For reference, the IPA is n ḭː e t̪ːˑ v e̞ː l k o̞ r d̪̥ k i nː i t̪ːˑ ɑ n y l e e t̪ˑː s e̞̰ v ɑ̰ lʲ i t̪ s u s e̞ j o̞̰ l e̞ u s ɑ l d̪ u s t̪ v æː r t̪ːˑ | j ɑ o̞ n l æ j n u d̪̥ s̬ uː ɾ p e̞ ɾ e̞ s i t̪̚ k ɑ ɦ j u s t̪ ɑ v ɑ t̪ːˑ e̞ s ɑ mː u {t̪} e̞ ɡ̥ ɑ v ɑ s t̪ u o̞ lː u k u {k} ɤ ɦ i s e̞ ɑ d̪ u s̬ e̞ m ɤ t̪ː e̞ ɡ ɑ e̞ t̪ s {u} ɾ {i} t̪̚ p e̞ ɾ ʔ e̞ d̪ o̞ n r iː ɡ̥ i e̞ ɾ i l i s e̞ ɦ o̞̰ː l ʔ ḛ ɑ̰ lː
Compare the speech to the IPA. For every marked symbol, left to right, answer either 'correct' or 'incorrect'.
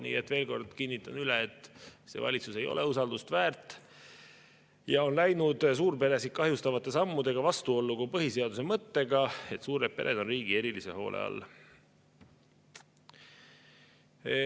incorrect: d̪, incorrect: p, incorrect: uː, incorrect: e

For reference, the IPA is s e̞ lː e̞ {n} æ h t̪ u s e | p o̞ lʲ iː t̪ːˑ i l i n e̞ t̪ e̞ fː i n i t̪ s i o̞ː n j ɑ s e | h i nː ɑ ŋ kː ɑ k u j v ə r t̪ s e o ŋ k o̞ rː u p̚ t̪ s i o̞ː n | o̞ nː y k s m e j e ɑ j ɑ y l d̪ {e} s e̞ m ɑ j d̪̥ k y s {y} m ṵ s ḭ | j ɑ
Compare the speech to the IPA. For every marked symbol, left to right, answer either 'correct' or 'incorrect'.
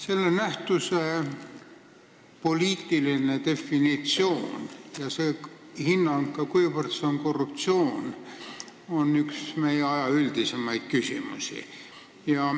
correct, incorrect: i, incorrect: i

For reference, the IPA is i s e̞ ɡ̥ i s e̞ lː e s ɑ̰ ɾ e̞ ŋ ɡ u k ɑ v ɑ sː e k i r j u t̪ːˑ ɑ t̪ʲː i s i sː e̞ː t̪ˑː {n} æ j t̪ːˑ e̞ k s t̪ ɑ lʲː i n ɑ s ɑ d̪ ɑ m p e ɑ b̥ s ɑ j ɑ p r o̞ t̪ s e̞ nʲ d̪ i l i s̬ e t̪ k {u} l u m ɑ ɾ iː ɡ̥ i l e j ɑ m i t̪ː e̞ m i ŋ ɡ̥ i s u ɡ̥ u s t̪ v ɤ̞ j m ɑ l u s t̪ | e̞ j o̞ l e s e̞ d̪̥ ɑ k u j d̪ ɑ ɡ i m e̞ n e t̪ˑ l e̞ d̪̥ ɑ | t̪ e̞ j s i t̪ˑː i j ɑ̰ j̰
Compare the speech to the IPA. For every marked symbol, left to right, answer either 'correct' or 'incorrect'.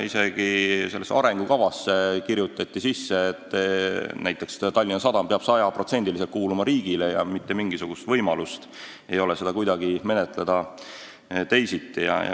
correct, incorrect: uː

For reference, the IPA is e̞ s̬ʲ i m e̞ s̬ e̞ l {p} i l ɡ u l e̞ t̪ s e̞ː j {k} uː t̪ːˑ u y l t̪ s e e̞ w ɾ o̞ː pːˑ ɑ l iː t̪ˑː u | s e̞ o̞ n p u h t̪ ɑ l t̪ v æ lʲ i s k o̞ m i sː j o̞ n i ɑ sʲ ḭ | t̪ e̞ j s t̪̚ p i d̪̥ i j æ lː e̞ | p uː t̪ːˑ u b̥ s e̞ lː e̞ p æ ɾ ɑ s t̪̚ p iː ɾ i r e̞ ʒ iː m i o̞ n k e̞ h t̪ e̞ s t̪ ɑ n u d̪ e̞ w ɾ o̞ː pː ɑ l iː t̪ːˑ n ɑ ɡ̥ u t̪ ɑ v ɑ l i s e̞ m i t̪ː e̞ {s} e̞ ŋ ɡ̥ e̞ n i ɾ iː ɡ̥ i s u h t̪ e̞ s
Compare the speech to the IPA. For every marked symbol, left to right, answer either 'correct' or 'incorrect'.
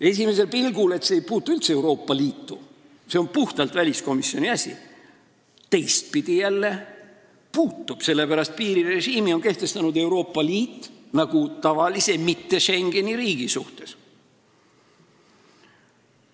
correct, incorrect: p, incorrect: ʃ

